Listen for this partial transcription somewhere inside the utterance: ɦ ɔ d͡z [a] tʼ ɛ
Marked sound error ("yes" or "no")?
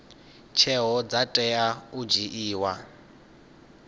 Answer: no